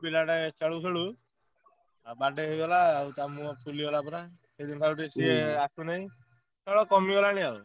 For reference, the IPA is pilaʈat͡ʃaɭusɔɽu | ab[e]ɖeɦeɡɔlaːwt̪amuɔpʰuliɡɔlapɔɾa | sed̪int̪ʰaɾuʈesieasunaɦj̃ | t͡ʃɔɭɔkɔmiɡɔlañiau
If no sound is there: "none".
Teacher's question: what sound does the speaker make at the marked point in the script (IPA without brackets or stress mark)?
a